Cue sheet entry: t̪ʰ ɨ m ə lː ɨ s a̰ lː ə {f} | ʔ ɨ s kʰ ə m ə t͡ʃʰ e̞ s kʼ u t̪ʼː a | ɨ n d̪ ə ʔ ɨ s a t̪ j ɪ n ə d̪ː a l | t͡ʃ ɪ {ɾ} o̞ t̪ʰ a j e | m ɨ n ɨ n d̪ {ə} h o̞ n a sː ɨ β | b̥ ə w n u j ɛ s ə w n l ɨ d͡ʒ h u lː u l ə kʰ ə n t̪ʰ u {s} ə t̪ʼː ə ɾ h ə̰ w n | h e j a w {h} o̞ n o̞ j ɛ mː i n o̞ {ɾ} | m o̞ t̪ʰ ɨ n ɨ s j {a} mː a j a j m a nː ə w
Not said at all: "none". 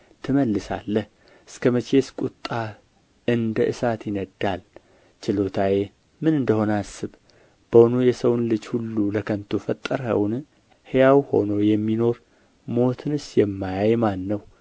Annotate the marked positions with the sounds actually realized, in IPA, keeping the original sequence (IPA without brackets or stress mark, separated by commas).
h, l, ə, f, h, ɾ, ɛ